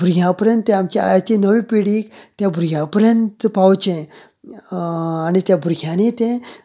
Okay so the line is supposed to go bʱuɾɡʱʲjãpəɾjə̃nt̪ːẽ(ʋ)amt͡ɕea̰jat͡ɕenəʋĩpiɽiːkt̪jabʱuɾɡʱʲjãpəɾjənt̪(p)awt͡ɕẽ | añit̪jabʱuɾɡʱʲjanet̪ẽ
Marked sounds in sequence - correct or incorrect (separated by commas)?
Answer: incorrect, correct